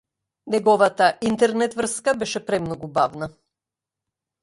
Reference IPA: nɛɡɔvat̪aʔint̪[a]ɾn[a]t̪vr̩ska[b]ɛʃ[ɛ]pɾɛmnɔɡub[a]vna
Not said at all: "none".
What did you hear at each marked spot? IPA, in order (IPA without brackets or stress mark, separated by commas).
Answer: ɛ, ɛ, b, ɛ, a